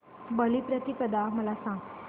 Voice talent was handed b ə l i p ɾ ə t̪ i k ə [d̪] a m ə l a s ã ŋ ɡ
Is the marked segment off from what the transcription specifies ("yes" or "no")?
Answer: no